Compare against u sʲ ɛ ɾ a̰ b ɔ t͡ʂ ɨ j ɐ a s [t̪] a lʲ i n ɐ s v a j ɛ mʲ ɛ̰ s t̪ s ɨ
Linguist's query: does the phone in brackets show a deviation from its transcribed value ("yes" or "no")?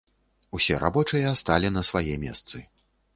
no